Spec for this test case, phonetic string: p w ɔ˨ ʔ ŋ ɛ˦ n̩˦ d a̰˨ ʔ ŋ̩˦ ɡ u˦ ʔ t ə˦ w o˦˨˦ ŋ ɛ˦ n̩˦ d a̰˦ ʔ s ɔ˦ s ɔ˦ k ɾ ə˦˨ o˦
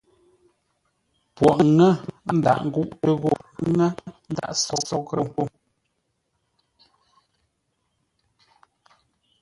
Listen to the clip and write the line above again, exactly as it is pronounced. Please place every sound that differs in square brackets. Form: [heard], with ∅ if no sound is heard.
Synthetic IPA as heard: p w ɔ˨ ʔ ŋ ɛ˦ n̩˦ d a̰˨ ʔ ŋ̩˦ ɡ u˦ ʔ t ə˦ [ɣ] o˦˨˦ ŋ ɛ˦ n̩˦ d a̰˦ ʔ s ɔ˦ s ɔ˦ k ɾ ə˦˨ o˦